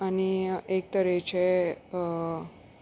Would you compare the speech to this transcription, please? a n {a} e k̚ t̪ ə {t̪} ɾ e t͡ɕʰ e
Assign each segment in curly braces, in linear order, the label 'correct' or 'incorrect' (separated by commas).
incorrect, incorrect